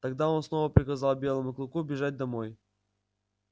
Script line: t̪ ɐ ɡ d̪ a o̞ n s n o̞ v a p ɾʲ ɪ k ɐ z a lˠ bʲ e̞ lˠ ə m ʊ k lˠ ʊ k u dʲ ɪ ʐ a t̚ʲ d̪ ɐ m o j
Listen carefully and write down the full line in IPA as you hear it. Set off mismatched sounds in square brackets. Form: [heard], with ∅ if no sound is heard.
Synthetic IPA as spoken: t̪ ɐ ɡ d̪ a o̞ n s n o̞ v [ə] p ɾʲ ɪ k ɐ z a lˠ bʲ e̞ lˠ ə m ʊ k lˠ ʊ k u [bʲ] ɪ ʐ a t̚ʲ d̪ ɐ m o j